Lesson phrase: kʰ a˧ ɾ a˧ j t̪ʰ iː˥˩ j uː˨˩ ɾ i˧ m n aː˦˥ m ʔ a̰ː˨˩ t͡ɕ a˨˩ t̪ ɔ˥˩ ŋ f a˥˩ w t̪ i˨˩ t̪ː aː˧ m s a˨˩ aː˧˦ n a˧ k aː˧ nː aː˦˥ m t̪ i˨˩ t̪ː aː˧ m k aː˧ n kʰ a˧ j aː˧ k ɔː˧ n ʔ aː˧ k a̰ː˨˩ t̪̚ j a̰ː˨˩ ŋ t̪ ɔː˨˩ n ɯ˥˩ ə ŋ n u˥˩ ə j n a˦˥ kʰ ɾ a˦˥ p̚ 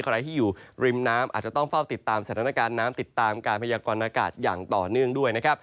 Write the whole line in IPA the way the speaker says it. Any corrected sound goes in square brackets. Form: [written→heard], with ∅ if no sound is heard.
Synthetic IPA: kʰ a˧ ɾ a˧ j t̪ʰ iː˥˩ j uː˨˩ ɾ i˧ m n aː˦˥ m ʔ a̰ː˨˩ t͡ɕ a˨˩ t̪ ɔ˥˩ ŋ f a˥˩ w t̪ i˨˩ t̪ː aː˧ m s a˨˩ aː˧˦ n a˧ k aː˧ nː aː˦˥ m t̪ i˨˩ t̪ː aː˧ m k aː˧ n [kʰ→pʰ] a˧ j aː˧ k ɔː˧ n ʔ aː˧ k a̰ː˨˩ t̪̚ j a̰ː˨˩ ŋ t̪ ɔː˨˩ n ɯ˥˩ ə ŋ [n→d] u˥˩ ə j n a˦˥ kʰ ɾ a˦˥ p̚